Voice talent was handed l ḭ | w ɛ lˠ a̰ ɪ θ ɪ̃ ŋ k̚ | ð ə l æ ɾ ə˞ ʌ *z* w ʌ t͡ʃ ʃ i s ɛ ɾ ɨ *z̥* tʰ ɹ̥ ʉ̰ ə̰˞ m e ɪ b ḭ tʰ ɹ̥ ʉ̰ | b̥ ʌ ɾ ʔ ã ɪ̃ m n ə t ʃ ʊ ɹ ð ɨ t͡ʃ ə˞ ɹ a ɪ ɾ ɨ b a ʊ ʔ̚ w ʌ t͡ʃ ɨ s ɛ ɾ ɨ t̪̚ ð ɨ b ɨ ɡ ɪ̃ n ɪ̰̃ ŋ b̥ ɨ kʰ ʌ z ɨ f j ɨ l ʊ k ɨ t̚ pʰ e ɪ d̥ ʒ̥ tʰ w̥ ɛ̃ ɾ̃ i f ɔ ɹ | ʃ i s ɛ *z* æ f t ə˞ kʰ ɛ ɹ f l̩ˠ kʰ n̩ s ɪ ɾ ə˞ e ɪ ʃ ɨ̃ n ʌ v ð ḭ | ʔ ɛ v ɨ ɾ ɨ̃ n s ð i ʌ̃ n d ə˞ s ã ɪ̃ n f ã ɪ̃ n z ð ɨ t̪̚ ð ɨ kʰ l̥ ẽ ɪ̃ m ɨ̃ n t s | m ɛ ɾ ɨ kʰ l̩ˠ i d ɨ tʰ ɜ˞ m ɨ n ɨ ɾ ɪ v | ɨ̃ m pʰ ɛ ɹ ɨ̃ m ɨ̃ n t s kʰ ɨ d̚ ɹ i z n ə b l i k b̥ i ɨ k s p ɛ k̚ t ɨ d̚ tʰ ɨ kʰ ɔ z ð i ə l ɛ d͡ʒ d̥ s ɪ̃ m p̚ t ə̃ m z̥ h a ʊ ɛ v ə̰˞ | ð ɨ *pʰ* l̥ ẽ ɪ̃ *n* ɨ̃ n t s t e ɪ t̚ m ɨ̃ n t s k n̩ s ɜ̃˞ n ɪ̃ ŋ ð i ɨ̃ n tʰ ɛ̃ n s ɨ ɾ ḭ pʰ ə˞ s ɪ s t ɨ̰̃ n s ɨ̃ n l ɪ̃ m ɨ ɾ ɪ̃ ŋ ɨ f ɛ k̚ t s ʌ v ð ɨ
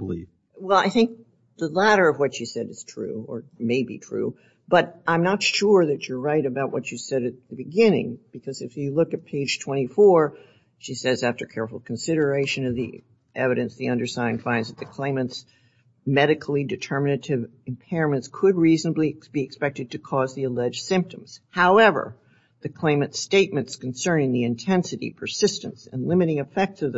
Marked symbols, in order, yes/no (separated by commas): no, yes, yes, no, no